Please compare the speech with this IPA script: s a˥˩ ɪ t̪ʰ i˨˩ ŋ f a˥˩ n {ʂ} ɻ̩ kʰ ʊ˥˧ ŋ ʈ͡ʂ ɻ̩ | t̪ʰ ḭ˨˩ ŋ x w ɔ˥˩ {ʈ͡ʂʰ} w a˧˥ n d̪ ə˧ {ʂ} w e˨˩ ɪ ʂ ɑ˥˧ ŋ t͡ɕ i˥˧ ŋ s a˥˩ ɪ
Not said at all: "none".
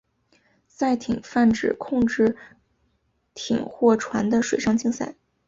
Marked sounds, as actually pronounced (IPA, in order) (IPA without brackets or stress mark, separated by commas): ʈ͡ʂ, ʈ͡ʂʰ, ʂ